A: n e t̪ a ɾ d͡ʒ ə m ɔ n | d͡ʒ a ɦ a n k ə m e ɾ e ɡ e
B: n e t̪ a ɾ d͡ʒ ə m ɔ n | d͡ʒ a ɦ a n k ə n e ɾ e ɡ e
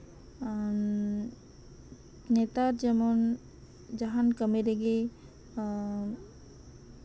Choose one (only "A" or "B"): A